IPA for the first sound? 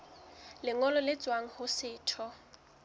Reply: l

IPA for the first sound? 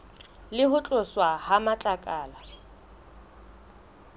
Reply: l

